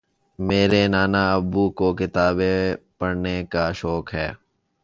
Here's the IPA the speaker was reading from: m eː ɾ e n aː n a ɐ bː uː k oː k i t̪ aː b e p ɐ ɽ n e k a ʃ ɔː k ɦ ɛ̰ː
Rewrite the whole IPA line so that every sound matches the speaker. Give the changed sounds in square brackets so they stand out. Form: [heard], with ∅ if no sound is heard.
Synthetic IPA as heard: m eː ɾ e n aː n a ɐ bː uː k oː k [ɪ] t̪ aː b e p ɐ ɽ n e k a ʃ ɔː k ɦ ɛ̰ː

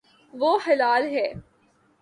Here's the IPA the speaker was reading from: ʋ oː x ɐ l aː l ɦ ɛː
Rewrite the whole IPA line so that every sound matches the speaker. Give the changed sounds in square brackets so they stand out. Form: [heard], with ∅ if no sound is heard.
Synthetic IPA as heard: ʋ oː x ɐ l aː l ɦ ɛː

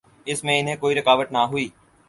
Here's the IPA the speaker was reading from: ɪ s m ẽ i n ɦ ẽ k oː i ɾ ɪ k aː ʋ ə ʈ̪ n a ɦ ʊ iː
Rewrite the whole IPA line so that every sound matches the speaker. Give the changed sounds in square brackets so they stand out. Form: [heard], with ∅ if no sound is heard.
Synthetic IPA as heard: ɪ s m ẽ [ɪ] n ɦ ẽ k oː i ɾ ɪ k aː ʋ ə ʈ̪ n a ɦ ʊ iː

